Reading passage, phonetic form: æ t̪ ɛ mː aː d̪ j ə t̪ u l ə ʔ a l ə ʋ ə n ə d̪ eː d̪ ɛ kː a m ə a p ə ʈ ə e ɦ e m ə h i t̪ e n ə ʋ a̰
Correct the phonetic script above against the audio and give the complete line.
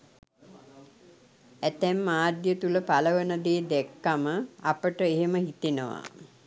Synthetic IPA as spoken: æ t̪ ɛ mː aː d̪ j ə t̪ u l ə p a l ə ʋ ə n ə d̪ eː d̪ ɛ kː a m ə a p ə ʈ ə e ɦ e m ə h i t̪ e n ə ʋ a̰